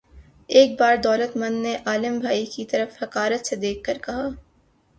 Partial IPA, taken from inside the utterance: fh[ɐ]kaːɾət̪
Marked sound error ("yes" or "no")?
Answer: no